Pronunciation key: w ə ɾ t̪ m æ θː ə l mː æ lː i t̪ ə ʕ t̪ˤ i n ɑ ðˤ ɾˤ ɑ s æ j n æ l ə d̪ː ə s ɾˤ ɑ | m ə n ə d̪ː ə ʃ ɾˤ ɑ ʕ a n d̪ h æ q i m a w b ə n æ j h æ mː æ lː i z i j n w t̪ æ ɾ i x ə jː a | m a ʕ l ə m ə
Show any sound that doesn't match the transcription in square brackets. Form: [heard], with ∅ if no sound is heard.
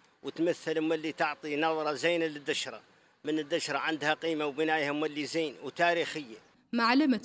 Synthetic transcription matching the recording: w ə [∅] t̪ m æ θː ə l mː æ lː i t̪ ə ʕ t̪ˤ i n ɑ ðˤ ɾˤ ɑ [z] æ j n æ l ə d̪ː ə [ʃ] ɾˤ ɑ | m ə n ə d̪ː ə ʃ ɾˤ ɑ ʕ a n d̪ h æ q i m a w b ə n æ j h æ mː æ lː i z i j n w t̪ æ ɾ i x ə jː a | m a ʕ l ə m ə